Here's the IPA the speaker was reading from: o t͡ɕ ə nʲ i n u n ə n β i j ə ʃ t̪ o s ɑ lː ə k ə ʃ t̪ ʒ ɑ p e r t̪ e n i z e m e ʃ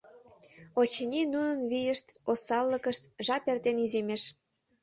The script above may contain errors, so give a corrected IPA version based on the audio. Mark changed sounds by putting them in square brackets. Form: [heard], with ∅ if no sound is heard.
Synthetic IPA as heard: o t͡ɕ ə nʲ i n u n ə n β i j ə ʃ t̪ o s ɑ lː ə k ə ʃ t̪ ʒ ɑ p e r t̪ e n i z e m e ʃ